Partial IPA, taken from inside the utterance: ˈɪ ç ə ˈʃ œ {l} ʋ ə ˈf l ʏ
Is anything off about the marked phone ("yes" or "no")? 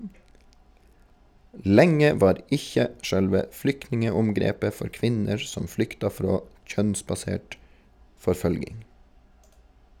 no